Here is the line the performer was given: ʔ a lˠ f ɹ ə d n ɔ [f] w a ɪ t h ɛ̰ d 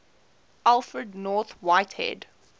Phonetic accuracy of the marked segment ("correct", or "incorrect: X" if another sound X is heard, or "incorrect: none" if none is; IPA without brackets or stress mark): incorrect: θ